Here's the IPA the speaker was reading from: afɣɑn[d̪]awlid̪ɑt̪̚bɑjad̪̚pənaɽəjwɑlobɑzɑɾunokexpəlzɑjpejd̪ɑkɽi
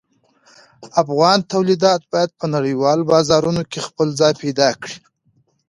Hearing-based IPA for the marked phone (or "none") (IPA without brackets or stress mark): t̪